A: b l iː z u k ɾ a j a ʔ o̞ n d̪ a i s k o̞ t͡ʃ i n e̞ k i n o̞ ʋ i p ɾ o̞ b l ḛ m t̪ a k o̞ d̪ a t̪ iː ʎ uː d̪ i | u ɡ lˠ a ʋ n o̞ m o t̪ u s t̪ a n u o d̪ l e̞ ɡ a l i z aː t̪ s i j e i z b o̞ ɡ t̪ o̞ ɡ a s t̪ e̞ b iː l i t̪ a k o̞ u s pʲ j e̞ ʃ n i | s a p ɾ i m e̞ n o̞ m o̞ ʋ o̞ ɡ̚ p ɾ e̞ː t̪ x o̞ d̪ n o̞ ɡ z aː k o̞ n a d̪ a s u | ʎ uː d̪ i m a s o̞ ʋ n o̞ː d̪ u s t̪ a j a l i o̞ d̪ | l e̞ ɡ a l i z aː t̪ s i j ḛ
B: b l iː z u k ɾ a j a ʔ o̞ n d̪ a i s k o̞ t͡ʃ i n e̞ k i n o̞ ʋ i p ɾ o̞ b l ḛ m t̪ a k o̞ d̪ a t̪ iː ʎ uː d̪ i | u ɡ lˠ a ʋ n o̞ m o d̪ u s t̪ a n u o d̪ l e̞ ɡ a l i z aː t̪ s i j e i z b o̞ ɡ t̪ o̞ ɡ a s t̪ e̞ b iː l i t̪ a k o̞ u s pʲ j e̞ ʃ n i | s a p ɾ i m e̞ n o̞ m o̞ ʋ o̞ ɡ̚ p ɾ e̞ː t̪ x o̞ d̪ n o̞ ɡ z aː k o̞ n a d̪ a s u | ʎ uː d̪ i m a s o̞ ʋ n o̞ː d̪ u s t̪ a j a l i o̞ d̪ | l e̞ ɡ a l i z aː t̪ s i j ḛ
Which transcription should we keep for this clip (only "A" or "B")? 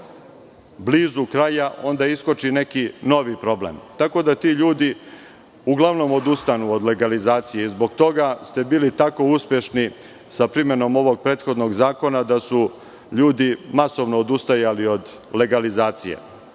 B